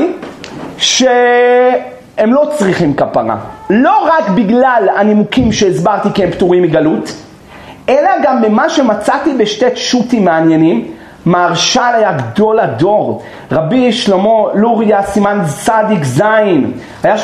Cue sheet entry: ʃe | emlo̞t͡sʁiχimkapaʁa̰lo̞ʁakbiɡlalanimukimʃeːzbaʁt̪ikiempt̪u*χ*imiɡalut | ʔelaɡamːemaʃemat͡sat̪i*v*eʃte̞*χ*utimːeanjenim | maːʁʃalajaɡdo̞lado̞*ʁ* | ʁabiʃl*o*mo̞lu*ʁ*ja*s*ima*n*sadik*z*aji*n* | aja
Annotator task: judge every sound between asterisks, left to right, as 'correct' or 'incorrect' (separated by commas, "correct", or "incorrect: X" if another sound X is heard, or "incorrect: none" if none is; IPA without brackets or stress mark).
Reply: incorrect: ʁ, incorrect: b, incorrect: ʃ, correct, correct, correct, correct, correct, correct, correct